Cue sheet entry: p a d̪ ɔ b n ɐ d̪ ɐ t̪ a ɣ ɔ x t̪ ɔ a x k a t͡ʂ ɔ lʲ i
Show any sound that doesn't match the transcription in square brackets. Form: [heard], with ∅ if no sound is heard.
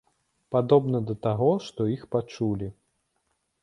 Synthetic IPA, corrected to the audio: p a d̪ ɔ b n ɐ d̪ ɐ t̪ a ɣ ɔ [ʂ] t̪ ɔ [i] x [p] a t͡ʂ [u] lʲ i